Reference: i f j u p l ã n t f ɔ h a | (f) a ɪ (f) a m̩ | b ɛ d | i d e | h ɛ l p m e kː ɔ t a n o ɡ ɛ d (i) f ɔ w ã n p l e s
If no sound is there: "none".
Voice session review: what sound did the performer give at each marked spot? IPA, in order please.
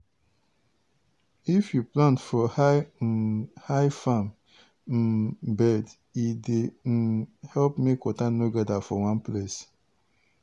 h, f, a

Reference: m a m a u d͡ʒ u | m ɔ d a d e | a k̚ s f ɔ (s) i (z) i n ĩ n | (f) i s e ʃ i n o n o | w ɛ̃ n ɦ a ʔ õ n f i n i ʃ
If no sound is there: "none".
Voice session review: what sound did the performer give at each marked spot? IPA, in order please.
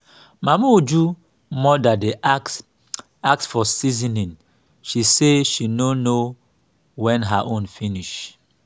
s, z, ʃ

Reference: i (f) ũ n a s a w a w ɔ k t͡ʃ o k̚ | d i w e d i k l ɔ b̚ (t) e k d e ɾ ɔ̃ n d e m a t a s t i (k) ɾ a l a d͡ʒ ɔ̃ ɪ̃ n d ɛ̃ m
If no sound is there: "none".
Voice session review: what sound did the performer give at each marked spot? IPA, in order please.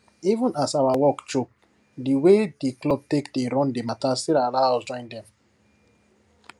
v, t, none

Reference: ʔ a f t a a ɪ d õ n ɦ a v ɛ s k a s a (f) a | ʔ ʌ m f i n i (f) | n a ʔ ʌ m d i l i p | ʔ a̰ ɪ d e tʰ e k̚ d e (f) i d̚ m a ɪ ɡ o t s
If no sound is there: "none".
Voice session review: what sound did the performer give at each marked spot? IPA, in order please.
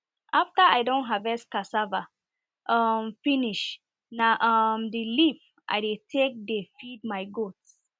v, ʃ, f

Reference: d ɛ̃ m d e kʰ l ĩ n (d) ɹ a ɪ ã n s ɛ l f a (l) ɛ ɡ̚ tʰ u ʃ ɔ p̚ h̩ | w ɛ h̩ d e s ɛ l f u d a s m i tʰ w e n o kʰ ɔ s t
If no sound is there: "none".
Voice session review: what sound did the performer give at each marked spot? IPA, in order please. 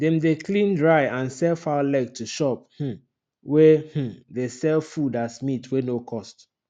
d, l

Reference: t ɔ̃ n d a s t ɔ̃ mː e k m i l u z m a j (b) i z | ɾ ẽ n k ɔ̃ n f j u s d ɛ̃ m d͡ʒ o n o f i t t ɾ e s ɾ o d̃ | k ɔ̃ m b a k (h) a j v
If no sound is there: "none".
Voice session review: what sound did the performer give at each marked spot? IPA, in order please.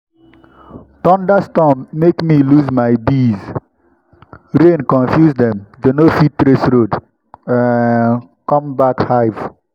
b, h

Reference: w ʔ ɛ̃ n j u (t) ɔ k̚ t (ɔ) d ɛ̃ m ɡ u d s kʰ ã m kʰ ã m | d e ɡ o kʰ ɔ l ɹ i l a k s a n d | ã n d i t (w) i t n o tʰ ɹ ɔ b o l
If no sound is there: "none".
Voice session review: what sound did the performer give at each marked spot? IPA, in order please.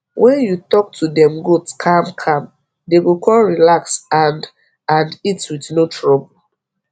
t, u, w

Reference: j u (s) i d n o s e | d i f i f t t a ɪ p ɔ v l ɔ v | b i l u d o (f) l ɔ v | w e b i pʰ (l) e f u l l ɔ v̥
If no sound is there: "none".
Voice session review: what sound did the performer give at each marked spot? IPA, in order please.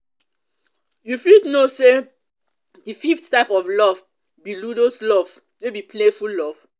f, s, l

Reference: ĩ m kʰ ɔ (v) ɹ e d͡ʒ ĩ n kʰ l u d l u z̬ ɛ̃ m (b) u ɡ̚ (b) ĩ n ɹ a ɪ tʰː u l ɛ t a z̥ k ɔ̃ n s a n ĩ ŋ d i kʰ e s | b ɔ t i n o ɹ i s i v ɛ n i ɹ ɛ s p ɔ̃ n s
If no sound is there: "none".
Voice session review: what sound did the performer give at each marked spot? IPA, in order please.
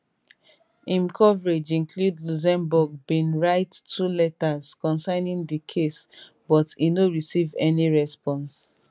v, b, b

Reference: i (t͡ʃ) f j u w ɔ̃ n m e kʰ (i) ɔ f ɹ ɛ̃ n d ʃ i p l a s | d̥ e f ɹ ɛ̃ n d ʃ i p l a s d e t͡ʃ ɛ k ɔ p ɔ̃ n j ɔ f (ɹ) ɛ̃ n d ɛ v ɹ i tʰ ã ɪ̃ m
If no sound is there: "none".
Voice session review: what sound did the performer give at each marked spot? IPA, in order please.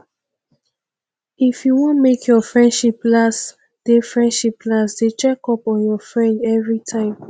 none, j, ɹ

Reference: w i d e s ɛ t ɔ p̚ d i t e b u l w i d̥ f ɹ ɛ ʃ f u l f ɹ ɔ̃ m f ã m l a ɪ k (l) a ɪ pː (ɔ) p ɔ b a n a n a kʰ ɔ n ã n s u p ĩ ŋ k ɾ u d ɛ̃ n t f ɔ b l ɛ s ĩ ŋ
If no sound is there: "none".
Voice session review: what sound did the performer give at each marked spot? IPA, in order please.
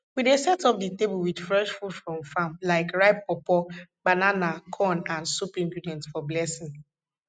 ɹ, ɔ

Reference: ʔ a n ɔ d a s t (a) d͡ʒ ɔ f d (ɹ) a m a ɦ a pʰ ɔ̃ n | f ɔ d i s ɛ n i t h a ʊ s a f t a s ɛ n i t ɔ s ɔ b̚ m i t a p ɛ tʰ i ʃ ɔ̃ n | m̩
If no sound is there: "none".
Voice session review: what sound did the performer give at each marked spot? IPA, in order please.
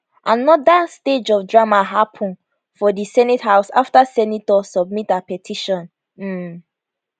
e, ɹ

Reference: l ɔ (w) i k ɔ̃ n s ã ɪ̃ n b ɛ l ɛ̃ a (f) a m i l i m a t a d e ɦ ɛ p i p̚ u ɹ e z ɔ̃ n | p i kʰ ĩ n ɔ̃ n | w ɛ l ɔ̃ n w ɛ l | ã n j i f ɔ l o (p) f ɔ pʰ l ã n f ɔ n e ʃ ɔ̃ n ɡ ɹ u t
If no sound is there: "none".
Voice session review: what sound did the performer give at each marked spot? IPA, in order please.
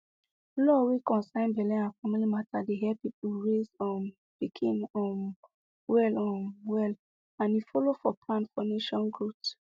w, f, none

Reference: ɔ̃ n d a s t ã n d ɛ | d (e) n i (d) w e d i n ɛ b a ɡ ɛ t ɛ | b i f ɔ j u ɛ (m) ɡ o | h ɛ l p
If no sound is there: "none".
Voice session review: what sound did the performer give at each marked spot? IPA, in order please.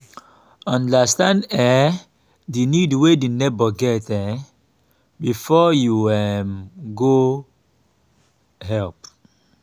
i, d, m

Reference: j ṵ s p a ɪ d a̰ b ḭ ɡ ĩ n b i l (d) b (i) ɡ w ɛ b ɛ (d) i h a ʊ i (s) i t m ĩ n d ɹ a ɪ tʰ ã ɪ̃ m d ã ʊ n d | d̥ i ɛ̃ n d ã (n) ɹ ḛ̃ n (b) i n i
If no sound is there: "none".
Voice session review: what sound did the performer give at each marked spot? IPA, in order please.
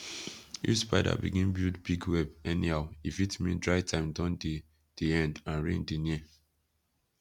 d, i, n, f, n, d

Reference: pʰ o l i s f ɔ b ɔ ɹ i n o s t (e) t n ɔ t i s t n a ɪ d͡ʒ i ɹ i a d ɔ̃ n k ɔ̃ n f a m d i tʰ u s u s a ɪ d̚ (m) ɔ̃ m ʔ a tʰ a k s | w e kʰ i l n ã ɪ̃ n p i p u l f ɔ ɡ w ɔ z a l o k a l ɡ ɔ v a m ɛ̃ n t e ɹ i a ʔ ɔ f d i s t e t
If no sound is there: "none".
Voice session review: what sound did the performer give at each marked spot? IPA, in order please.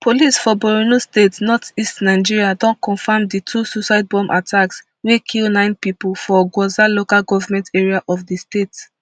e, b

